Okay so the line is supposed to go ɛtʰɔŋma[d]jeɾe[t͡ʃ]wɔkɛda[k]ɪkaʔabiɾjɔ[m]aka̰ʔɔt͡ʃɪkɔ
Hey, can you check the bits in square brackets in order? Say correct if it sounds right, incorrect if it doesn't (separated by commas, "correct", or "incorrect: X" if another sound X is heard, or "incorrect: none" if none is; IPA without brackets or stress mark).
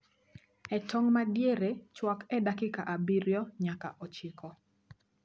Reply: correct, correct, correct, incorrect: ɲ